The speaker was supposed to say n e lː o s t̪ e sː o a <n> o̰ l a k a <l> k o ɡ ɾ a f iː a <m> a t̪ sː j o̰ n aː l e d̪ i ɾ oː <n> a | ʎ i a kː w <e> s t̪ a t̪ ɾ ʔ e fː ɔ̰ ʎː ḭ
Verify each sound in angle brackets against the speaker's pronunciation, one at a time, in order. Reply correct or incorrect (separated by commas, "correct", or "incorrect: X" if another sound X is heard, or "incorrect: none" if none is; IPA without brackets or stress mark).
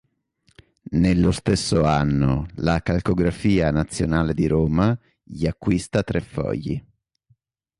incorrect: nː, correct, incorrect: n, incorrect: m, incorrect: i